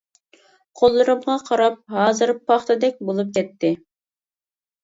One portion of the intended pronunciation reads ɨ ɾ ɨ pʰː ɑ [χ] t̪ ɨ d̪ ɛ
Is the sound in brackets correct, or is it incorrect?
correct